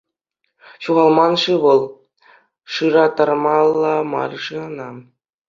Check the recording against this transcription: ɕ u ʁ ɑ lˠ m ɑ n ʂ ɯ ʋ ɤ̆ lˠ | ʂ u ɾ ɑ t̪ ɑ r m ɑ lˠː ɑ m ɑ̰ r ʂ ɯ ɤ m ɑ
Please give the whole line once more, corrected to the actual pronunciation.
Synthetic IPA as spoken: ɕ u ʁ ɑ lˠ m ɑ n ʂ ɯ ʋ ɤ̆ lˠ | ʂ ɯ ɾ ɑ t̪ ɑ r m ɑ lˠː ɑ m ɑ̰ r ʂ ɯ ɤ n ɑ

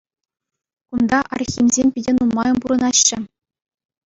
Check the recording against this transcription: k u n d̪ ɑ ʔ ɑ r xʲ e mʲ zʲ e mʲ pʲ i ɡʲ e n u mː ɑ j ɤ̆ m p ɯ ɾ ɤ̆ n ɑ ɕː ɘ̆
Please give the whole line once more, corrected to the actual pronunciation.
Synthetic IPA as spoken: k u n d̪ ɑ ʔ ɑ r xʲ i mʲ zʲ e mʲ pʲ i dʲ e n u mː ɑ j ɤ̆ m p u ɾ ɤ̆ n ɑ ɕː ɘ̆

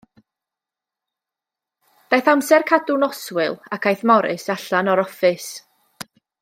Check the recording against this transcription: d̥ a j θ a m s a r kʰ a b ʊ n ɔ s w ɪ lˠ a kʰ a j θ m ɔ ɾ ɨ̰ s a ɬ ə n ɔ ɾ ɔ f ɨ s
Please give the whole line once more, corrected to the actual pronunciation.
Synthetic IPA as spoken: d̥ a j θ a m s ɛ r kʰ a d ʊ n ɔ s w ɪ lˠ a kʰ a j θ m ɔ ɾ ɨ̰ s a ɬ a n ɔ ɾ ɔ f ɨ s

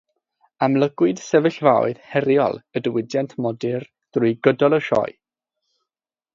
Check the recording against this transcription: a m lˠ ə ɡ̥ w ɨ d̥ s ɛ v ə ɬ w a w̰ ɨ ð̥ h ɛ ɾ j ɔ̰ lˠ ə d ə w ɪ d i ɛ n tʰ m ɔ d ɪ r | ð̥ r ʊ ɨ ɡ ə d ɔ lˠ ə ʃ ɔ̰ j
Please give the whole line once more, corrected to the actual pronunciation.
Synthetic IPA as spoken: a m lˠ ə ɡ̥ w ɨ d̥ s ɛ v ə ɬ v a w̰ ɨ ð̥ h ɛ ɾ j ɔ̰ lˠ ə d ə w ɪ d j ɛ n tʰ m ɔ d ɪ r | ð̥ r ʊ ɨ ɡ ə d ɔ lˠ ə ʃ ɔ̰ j

